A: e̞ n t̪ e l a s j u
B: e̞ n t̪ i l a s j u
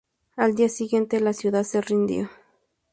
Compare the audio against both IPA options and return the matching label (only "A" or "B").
A